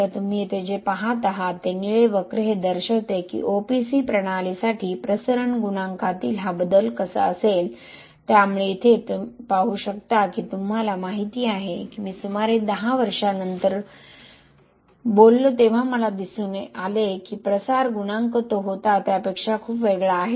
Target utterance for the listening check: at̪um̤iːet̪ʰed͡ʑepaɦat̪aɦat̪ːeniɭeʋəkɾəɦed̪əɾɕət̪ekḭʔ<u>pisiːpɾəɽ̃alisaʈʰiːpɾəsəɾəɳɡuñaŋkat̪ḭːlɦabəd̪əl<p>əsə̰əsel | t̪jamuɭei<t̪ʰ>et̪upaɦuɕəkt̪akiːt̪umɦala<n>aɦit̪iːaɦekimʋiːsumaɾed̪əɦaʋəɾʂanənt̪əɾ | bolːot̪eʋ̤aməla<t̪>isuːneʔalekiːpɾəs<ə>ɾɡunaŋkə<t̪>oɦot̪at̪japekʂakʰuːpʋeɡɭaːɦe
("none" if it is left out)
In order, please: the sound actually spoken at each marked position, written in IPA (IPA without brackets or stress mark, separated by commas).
o, k, t̪ʰ, m, d̪, a, t̪